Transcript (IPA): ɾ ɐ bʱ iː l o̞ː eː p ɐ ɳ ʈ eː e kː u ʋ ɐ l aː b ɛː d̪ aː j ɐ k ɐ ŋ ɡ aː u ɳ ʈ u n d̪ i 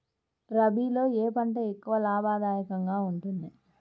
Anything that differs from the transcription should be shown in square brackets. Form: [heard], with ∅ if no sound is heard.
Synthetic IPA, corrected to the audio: ɾ ɐ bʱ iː l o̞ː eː p ɐ ɳ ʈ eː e kː u ʋ ɐ l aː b [aː] d̪ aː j ɐ k ɐ ŋ ɡ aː u ɳ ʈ u n d̪ i